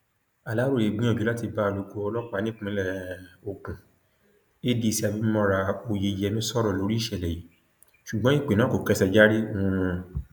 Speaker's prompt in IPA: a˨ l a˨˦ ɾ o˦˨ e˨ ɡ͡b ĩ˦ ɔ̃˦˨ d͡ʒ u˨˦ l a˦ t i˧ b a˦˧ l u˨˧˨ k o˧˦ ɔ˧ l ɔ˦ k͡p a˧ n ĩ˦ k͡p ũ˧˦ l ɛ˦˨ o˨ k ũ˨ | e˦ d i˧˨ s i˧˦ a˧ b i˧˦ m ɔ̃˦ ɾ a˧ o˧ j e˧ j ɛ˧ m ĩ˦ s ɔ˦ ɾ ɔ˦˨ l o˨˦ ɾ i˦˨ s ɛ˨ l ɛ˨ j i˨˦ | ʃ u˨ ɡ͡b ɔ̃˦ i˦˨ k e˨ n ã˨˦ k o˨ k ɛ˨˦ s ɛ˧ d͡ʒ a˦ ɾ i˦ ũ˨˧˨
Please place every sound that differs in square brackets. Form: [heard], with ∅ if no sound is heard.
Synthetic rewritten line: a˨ l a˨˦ ɾ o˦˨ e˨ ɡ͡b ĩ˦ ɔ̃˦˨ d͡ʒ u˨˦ l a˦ t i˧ b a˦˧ l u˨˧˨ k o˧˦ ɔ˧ l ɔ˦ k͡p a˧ n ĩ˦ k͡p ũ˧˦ l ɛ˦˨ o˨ k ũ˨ | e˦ d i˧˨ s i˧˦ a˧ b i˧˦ m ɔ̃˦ ɾ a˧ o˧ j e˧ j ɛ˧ m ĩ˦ s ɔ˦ ɾ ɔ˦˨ l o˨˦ ɾ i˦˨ [ʃ] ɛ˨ l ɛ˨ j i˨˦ | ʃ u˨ ɡ͡b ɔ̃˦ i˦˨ [k͡p] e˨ n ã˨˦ k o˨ k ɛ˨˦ s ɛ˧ d͡ʒ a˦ ɾ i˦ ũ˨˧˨